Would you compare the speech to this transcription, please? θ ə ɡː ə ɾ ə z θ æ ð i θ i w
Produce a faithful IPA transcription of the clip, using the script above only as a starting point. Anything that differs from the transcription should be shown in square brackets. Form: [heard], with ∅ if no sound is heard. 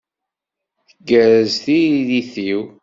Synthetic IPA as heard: θ ə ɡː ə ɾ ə z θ [i] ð i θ i w